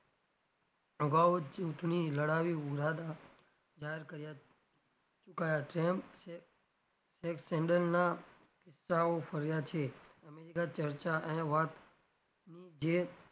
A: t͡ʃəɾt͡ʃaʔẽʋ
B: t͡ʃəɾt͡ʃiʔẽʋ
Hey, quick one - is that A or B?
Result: A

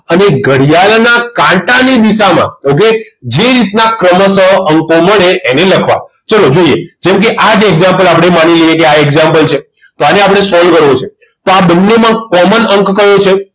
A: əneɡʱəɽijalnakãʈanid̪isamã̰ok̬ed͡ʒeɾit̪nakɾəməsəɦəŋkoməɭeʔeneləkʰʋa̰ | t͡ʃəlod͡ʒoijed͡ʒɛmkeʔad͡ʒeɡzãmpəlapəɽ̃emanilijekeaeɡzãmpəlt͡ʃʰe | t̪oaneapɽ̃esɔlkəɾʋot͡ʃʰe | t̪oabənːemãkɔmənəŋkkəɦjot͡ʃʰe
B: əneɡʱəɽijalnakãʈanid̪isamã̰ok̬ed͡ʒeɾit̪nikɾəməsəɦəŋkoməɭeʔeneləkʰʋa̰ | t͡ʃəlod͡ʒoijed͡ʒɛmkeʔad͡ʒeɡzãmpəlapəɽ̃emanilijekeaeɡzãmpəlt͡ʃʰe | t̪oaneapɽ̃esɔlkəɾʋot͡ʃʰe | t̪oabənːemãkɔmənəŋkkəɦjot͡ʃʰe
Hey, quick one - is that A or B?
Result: A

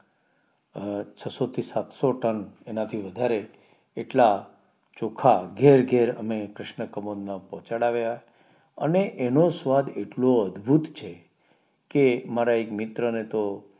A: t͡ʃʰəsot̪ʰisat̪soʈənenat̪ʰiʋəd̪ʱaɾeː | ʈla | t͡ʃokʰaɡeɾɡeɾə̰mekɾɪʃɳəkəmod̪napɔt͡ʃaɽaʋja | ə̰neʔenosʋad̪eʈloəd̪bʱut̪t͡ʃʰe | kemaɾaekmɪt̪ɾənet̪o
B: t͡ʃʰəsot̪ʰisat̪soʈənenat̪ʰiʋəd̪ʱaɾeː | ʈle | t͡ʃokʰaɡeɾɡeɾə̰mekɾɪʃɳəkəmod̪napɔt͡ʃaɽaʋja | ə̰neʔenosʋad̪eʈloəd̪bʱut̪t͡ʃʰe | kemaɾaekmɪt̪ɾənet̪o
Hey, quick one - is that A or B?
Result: A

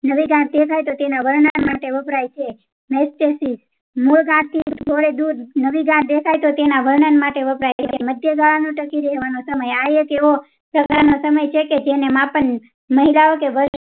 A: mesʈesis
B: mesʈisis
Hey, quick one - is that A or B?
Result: A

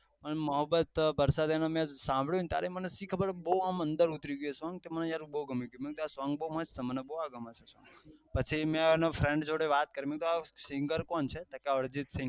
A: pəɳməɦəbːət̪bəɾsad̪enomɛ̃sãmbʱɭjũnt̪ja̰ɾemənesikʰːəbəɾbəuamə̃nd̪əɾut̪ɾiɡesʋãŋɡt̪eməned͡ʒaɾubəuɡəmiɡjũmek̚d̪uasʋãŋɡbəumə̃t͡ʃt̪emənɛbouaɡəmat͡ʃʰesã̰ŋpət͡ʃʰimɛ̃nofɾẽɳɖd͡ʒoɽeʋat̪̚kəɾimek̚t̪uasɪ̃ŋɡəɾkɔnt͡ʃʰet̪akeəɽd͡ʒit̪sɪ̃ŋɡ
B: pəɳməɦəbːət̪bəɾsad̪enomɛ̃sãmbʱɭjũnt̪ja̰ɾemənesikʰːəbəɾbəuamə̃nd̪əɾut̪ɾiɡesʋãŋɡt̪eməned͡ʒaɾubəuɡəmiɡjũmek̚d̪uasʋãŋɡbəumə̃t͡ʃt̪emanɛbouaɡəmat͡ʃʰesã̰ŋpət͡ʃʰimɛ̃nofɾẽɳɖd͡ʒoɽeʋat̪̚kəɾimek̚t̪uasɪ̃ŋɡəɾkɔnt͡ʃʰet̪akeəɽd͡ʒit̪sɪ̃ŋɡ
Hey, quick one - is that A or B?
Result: A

